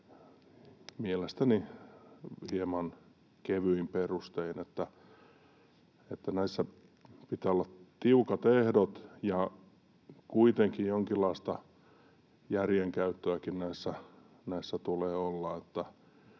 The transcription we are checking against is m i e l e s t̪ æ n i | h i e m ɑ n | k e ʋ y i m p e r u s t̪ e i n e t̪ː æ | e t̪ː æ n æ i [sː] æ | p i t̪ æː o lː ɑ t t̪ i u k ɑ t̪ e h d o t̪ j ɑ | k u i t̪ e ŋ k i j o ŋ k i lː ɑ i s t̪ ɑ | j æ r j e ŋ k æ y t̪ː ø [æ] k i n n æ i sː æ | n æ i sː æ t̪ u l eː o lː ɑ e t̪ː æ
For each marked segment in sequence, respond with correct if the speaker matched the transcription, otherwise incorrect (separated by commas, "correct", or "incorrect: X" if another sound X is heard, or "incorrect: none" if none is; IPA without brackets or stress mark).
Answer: correct, correct